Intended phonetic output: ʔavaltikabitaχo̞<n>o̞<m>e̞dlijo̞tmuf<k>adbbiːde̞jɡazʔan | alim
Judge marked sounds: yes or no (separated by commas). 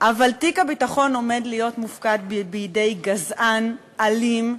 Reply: yes, yes, yes